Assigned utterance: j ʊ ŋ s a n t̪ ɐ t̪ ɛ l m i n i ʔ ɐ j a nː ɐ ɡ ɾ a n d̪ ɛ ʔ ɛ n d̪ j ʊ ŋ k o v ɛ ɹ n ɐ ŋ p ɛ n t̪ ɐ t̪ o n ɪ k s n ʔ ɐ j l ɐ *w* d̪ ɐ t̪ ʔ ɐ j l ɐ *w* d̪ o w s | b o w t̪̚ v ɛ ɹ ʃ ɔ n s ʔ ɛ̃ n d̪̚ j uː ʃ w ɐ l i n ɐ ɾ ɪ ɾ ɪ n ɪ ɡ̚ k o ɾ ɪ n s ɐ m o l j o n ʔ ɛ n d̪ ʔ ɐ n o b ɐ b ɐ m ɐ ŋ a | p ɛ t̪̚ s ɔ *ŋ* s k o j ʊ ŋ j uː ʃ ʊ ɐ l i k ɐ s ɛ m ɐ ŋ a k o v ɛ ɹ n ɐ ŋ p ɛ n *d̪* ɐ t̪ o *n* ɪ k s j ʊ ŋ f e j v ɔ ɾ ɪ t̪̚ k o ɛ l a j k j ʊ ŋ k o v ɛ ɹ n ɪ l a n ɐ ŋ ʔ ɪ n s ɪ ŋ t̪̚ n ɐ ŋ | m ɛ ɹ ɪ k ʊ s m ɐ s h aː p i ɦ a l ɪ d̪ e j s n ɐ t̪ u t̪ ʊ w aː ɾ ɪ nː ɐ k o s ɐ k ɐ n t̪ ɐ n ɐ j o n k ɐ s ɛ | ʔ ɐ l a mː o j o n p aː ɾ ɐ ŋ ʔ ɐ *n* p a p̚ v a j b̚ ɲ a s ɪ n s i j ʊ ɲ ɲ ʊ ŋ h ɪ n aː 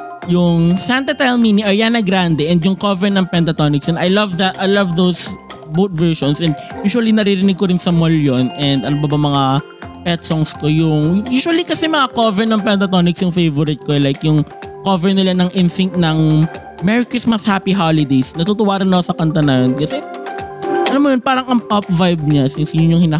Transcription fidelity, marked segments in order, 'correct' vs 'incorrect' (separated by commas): incorrect, incorrect, correct, incorrect, correct, incorrect